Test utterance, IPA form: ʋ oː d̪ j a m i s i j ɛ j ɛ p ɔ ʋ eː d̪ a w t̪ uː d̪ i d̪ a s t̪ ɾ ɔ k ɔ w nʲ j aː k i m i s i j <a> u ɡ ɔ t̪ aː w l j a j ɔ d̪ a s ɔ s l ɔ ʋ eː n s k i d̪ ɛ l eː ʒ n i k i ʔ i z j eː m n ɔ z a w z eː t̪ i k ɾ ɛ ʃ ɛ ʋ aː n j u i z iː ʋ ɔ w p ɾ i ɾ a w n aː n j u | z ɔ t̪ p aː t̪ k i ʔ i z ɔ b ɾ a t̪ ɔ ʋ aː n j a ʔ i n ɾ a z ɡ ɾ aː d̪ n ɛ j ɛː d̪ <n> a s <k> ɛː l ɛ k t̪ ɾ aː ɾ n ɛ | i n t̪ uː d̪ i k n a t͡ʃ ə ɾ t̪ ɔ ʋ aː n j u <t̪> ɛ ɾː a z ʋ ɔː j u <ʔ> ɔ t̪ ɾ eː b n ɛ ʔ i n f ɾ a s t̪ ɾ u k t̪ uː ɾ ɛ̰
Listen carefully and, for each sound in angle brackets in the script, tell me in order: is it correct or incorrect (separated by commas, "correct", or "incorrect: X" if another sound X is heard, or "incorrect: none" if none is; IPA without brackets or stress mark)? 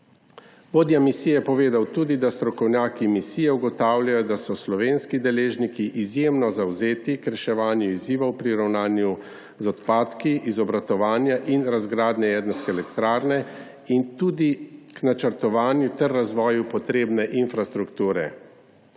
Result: incorrect: ɛ, correct, correct, correct, incorrect: p